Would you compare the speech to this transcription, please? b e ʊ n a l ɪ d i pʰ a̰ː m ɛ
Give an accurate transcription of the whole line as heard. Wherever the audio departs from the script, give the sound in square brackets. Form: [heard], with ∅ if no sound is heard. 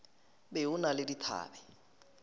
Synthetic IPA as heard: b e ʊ n a l ɪ d i [tʰ] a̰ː [b] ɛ